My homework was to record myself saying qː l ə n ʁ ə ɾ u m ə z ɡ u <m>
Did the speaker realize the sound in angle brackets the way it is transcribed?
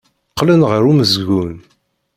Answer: no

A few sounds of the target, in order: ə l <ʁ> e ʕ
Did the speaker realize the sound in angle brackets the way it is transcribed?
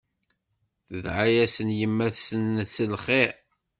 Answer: no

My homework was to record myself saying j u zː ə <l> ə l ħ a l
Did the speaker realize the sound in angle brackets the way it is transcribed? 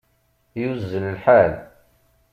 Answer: yes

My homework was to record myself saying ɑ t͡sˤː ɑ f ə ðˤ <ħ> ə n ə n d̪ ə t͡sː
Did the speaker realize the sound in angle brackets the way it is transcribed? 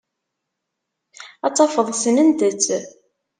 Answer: no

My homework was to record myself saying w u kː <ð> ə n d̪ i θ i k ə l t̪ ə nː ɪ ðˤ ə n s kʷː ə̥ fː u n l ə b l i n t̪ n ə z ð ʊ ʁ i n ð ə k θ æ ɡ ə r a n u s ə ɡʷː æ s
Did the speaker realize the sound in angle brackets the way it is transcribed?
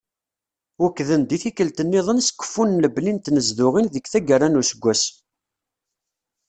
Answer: yes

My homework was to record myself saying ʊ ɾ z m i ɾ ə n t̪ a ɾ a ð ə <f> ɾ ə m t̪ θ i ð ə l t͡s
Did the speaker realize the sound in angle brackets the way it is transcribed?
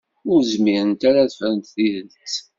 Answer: yes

